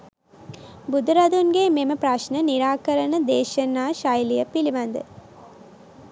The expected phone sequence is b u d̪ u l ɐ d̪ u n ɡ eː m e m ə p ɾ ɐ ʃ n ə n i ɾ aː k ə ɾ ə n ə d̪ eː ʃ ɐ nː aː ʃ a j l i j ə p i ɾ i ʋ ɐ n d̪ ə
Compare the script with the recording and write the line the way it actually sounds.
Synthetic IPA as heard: b u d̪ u ɾ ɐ d̪ u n ɡ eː m e m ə p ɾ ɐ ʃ n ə n i ɾ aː k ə ɾ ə n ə d̪ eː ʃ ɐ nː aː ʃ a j l i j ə p i l i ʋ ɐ n d̪ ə